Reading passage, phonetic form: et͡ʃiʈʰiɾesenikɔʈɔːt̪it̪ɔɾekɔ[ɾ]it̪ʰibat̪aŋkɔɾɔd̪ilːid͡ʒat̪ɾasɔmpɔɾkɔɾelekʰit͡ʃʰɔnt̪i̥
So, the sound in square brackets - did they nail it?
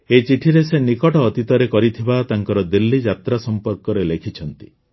yes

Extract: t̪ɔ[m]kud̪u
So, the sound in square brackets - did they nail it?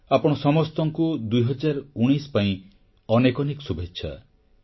no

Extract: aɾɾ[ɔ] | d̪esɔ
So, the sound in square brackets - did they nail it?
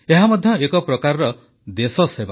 yes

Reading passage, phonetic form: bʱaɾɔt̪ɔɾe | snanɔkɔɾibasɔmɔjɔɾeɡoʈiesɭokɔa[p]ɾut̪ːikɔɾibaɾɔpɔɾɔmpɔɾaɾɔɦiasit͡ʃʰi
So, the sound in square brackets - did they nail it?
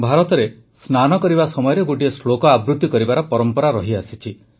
no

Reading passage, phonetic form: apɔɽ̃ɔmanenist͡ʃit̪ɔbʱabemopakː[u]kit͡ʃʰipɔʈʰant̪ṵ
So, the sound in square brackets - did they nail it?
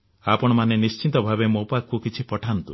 yes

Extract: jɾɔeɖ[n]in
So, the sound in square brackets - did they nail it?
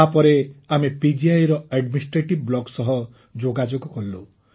no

